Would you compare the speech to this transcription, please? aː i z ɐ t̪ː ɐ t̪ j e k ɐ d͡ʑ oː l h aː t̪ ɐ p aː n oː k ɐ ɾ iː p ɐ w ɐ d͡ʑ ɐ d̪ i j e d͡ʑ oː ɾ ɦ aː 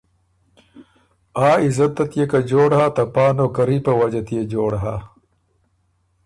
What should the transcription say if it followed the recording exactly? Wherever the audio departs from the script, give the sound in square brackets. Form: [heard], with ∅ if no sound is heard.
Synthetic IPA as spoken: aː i z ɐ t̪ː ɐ t̪ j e k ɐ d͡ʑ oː [ɽ] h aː t̪ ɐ p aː n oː k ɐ ɾ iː p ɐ w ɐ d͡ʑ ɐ [t̪] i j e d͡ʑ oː [ɽ] ɦ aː